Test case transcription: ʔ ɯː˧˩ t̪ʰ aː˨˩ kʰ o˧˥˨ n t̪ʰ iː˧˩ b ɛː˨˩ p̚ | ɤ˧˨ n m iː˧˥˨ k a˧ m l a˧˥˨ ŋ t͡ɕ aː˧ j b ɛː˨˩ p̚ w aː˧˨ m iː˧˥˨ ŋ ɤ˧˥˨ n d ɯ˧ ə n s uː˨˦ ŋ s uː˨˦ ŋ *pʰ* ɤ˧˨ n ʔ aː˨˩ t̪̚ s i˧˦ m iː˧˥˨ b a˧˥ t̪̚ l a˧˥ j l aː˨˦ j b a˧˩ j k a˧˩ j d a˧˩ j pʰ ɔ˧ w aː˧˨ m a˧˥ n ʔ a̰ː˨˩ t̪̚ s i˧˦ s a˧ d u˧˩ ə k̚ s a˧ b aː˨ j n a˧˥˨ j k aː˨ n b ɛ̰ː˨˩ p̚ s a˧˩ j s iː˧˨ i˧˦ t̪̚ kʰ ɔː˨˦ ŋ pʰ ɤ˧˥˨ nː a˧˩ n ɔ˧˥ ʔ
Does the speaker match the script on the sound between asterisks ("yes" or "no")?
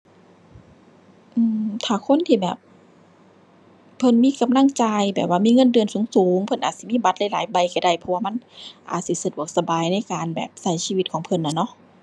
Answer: yes